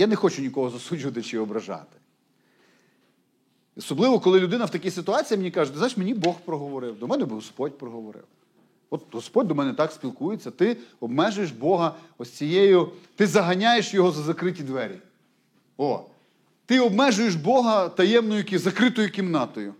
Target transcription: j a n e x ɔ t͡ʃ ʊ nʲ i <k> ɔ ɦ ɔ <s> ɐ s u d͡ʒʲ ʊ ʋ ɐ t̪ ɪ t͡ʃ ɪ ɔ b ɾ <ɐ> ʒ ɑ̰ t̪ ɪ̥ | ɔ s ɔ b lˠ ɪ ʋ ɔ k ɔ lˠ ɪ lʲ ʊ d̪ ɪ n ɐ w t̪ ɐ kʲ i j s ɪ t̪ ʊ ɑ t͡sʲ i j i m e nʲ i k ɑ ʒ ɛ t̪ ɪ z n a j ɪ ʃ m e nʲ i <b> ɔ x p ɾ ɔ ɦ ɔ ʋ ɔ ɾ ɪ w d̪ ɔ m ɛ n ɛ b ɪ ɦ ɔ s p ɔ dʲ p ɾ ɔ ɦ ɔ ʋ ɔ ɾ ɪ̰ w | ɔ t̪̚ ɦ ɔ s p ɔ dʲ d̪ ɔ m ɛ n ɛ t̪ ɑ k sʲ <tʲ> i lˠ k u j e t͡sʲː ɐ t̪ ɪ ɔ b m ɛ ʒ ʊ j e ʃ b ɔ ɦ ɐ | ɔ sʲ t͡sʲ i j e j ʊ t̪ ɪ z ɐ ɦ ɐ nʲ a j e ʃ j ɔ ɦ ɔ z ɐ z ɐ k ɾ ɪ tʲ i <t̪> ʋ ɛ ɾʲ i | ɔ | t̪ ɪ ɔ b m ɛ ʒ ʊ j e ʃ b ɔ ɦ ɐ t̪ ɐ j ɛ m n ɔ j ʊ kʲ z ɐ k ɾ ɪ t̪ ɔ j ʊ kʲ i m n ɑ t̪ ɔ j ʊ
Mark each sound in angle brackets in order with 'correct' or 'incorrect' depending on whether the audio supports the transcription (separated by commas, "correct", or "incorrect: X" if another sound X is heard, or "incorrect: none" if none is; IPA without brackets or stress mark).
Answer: correct, incorrect: z, correct, correct, incorrect: pʲ, incorrect: d̪